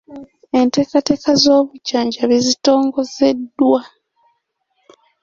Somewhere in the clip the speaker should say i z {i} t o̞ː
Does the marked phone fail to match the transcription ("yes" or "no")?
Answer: no